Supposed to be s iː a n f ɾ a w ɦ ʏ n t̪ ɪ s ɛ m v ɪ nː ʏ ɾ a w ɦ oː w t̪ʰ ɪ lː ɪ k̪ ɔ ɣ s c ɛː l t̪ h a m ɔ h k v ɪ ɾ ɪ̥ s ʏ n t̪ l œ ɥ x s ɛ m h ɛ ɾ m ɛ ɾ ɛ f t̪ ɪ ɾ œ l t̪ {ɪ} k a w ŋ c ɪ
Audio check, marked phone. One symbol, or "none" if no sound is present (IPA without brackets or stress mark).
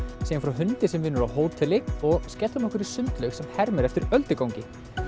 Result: ɪ